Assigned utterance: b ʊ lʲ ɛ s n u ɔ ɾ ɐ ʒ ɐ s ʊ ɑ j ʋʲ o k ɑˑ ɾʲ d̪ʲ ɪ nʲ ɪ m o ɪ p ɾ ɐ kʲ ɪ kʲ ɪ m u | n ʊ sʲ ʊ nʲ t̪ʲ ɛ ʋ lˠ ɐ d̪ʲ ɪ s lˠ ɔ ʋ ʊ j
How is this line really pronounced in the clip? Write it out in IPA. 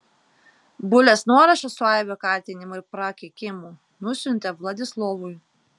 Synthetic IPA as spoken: b ʊ lʲ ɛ s n u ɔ ɾ ɐ ʃ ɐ s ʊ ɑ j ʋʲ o k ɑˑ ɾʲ t̪ʲ ɪ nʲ ɪ m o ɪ p ɾ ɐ kʲ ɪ kʲ ɪ m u | n ʊ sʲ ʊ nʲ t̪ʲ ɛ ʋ lˠ ɐ d̪ʲ ɪ s lˠ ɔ ʋ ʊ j

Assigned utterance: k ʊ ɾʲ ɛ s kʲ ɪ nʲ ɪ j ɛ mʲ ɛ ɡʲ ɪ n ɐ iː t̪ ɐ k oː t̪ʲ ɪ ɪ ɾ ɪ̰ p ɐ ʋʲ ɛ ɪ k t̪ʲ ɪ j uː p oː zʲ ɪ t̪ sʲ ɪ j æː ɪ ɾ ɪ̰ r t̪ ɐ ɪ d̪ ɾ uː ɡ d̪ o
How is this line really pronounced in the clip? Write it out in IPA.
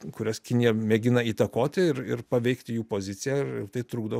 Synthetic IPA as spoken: k ʊ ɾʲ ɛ s kʲ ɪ nʲ ɪ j ɛ mʲ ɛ ɡʲ ɪ n ɐ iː t̪ ɐ k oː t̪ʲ ɪ ɪ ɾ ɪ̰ p ɐ ʋʲ ɛ ɪ k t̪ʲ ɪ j uː p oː zʲ ɪ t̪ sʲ ɪ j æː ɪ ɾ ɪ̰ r t̪ ɐ ɪ t̪ ɾ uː ɡ d̪ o

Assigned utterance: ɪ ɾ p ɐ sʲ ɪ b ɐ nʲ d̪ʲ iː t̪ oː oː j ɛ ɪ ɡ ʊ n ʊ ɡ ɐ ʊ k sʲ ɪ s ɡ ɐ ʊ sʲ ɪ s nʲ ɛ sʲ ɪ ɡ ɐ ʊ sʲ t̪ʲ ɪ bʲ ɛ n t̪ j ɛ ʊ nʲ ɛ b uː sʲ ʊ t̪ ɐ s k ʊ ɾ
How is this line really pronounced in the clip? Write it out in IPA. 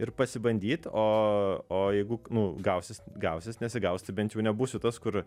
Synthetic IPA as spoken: ɪ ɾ p ɐ sʲ ɪ b ɐ nʲ d̪ʲ iː t̪ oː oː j ɛ ɪ ɡ ʊ n ʊ ɡ ɐ ʊ sʲ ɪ s ɡ ɐ ʊ sʲ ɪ s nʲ ɛ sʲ ɪ ɡ ɐ ʊ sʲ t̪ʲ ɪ bʲ ɛ n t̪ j ɛ ʊ nʲ ɛ b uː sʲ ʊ t̪ ɐ s k ʊ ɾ

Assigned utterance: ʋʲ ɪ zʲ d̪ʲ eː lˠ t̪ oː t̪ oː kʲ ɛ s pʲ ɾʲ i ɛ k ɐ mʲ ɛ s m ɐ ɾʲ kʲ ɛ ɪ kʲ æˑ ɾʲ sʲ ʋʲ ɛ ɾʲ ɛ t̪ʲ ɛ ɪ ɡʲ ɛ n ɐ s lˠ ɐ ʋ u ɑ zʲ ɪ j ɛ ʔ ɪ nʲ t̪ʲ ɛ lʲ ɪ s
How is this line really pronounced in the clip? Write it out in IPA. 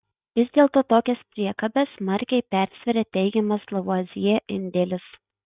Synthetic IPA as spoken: ʋʲ ɪ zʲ d̪ʲ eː lˠ t̪ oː t̪ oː kʲ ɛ s pʲ ɾʲ i ɛ k ɐ bʲ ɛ s m ɐ ɾʲ kʲ ɛ ɪ pʲ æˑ ɾʲ sʲ ʋʲ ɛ ɾʲ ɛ t̪ʲ ɛ ɪ ɡʲ ɛ m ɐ s lˠ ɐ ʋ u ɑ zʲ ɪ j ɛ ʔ ɪ nʲ d̪ʲ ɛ lʲ ɪ s

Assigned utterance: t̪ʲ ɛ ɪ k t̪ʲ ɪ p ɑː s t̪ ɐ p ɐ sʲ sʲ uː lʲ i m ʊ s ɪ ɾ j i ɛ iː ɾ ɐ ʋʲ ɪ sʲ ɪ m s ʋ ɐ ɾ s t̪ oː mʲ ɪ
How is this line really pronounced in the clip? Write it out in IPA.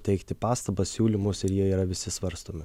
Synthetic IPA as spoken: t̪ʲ ɛ ɪ k t̪ʲ ɪ p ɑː s t̪ ɐ b ɐ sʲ sʲ uː lʲ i m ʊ s ɪ ɾ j i ɛ iː ɾ ɐ ʋʲ ɪ sʲ ɪ s ʋ ɐ ɾ s t̪ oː mʲ ɪ

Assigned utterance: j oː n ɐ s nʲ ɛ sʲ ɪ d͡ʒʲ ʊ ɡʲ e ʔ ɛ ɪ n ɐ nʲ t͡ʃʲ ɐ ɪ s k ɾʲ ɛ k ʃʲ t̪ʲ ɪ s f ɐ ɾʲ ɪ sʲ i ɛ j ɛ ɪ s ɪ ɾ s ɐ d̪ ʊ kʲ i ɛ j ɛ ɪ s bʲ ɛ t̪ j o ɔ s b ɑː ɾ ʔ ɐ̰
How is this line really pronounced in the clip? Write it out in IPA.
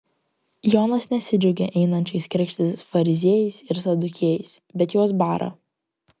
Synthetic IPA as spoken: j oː n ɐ s nʲ ɛ sʲ ɪ d͡ʒʲ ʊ ɡʲ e ʔ ɛ ɪ n ɐ nʲ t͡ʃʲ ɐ ɪ s k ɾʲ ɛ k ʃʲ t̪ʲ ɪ s f ɐ ɾʲ ɪ zʲ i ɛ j ɛ ɪ s ɪ ɾ s ɐ d̪ ʊ kʲ i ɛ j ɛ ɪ s bʲ ɛ t̪ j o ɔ s b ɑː ɾ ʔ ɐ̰

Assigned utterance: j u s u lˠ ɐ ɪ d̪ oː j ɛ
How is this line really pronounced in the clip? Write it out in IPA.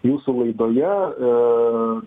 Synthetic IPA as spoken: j uː s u lˠ ɐ ɪ d̪ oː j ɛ

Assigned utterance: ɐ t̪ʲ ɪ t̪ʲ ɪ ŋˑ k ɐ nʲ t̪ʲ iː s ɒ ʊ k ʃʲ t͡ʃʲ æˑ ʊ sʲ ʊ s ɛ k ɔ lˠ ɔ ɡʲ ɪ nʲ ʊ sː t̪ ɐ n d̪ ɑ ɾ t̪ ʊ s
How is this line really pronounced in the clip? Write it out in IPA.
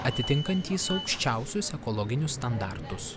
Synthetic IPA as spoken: ɐ t̪ʲ ɪ t̪ʲ ɪ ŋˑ k ɐ nʲ t̪ʲ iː s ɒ ʊ k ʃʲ t͡ʃʲ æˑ ʊ sʲ ʊ s ɛ k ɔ lˠ ɔ ɡʲ ɪ nʲ ʊ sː t̪ ɐ n d̪ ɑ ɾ t̪ ʊ s

